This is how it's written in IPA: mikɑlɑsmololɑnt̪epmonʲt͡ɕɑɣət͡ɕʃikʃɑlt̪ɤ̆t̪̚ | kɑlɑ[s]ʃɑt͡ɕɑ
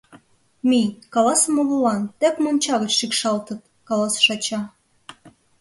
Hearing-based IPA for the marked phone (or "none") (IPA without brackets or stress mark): s